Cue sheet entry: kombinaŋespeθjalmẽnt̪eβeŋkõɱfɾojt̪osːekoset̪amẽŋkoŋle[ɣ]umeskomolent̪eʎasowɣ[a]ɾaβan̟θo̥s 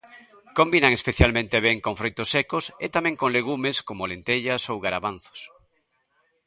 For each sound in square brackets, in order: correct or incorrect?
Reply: correct, correct

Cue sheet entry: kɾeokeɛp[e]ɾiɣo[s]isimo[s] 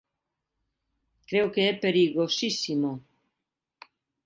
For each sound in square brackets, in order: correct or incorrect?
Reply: correct, correct, incorrect: none

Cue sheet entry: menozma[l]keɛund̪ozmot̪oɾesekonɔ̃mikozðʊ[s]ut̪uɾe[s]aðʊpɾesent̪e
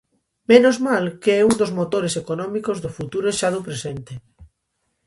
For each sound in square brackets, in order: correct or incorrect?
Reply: correct, incorrect: f, incorrect: ʃ

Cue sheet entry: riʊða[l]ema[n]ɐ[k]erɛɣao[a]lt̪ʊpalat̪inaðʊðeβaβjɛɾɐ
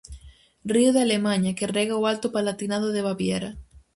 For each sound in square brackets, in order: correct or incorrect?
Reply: correct, incorrect: ɲ, correct, correct

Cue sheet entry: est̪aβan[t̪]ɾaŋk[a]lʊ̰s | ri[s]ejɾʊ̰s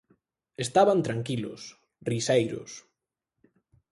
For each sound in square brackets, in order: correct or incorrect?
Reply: correct, incorrect: i, correct

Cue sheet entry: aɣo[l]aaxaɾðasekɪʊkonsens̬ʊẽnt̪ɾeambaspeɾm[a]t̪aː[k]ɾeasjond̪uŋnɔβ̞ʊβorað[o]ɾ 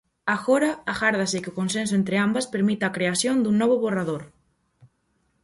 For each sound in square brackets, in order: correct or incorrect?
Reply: incorrect: ɾ, incorrect: i, correct, correct

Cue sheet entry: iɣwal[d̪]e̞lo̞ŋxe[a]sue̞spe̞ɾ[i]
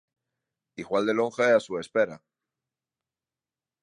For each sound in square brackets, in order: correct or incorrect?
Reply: correct, correct, incorrect: a

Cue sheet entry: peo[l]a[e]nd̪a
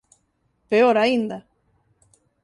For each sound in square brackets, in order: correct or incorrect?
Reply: incorrect: ɾ, incorrect: i

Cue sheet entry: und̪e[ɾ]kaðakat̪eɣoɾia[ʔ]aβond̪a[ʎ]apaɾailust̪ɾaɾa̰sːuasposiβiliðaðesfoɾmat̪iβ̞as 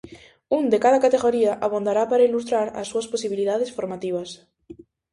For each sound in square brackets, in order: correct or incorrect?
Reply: incorrect: none, correct, incorrect: ɾ

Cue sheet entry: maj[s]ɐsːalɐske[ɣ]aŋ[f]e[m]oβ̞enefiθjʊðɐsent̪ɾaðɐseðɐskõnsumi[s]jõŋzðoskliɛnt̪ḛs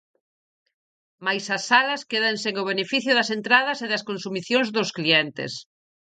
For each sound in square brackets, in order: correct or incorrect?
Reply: correct, incorrect: ð, incorrect: s, incorrect: ŋ, incorrect: θ

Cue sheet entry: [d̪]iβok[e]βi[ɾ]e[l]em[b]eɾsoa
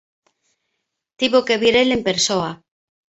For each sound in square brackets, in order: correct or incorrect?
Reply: incorrect: t̪, correct, correct, correct, incorrect: p

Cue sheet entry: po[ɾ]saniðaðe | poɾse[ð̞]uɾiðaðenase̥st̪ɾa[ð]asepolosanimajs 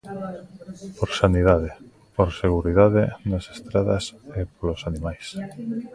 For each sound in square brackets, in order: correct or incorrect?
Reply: correct, incorrect: ɣ̞, correct

